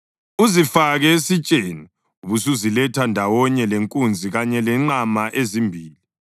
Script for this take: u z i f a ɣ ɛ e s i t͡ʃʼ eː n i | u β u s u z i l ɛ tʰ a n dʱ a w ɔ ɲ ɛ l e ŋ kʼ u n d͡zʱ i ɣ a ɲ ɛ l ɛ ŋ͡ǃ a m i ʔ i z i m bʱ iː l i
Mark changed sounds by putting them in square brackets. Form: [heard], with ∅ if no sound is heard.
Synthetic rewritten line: u z i f a ɣ ɛ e s i t͡ʃʼ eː n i | u β u s u z i l ɛ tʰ a n dʱ a w ɔ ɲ ɛ l e ŋ kʼ u n d͡zʱ i ɣ a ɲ ɛ l ɛ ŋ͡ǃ a m [a] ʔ [e] z i m bʱ iː l i